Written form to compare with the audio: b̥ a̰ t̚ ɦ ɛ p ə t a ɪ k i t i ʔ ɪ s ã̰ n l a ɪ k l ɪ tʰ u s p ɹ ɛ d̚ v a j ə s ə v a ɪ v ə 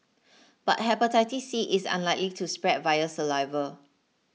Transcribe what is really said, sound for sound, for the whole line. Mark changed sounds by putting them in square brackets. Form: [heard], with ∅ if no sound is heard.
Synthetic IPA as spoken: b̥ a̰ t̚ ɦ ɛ p ə t a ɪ [t] i [s] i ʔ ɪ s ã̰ n l a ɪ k l [i] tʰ u s p ɹ ɛ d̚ v a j ə s ə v a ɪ v ə